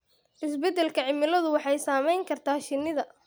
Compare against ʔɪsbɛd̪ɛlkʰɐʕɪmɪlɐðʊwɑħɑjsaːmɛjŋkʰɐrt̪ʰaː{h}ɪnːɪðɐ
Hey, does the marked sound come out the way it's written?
no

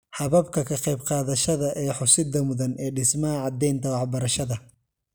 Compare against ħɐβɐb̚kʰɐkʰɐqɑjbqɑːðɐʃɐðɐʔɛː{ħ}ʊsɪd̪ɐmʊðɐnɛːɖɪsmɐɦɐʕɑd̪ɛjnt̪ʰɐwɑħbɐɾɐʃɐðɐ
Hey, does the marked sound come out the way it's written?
yes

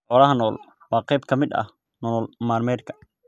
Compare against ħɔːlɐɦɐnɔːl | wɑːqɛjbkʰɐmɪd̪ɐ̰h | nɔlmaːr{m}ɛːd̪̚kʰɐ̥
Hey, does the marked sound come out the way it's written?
yes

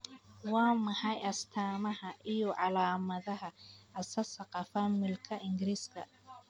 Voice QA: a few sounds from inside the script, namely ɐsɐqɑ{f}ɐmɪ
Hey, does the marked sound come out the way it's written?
yes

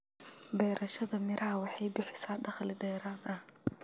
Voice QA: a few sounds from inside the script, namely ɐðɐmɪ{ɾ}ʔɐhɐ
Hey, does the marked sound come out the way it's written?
yes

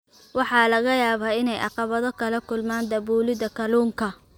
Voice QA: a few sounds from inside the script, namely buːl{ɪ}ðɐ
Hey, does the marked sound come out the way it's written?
yes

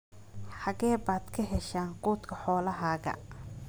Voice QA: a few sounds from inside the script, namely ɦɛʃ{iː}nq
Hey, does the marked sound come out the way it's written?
no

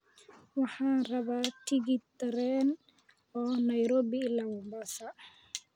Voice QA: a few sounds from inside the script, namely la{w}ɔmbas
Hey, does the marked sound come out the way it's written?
yes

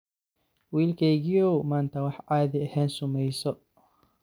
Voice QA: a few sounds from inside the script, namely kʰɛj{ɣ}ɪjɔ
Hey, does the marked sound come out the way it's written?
yes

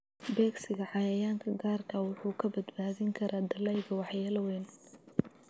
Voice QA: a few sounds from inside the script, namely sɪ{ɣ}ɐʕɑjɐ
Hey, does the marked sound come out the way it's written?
yes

